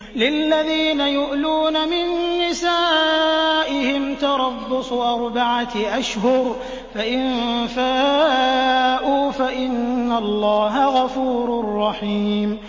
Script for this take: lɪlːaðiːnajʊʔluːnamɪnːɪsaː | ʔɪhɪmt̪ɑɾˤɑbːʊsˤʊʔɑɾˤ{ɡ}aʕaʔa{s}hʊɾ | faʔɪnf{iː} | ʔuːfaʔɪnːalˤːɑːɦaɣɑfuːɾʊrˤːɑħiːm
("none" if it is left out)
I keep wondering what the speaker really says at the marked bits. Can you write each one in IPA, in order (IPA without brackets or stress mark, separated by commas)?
b, ʃ, aː